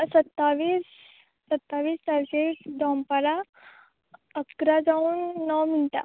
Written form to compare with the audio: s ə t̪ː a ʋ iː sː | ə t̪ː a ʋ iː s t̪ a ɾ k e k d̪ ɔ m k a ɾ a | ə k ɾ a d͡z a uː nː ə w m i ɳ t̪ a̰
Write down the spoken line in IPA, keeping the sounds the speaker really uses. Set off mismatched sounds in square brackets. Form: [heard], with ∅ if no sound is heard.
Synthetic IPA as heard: s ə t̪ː a ʋ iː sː | ə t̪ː a ʋ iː s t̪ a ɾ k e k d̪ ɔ m [p] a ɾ a | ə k ɾ a d͡z a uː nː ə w m i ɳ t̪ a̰